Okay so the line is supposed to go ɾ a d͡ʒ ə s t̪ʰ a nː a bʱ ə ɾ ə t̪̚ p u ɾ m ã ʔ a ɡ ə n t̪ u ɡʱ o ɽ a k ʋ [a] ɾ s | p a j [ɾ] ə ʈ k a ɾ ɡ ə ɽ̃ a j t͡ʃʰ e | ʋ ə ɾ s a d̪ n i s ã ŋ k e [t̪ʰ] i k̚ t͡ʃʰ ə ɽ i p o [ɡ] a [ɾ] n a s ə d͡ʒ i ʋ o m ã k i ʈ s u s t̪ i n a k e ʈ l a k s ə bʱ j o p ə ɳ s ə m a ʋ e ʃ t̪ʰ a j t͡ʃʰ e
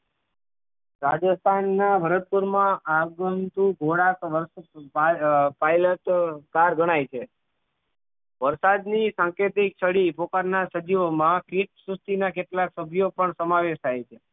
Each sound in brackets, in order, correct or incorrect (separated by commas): incorrect, incorrect, incorrect, incorrect, correct